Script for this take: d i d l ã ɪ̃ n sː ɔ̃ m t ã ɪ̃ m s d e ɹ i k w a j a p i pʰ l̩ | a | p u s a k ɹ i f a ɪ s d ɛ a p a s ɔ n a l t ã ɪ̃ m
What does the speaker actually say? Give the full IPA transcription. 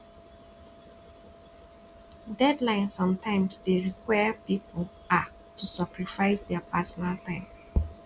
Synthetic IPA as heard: d ɛ d l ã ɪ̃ n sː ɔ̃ m t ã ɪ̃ m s d e ɹ i k w a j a p i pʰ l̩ | a | t u s a k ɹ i f a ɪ s d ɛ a p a s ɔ n a l t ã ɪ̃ m

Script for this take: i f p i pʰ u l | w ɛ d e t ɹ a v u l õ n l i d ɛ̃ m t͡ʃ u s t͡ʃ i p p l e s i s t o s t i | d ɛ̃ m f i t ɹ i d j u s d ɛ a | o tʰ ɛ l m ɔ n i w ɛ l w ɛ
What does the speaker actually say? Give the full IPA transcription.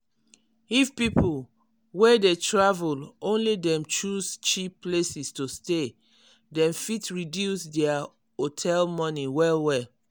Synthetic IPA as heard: i f p i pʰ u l | w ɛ d e t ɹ a v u l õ n l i d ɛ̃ m t͡ʃ u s t͡ʃ i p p l e s i s t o s t e | d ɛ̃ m f i t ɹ i d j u s d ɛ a | o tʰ ɛ l m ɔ n i w ɛ l w ɛ

